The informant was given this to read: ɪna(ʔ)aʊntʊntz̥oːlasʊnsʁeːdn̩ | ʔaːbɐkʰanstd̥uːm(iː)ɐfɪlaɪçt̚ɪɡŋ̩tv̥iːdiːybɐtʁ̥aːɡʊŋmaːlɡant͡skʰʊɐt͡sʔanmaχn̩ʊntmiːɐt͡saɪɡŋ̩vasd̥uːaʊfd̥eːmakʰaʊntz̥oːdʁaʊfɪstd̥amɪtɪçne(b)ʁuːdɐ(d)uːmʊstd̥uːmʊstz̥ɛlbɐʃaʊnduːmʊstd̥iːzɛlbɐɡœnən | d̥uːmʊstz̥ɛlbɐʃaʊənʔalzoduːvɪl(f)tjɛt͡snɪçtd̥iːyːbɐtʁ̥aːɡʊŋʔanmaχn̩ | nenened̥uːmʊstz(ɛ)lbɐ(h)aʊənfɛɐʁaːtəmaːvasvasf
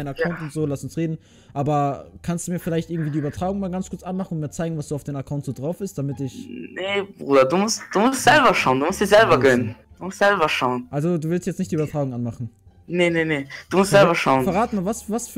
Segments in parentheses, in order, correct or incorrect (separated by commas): incorrect, correct, correct, correct, incorrect, correct, incorrect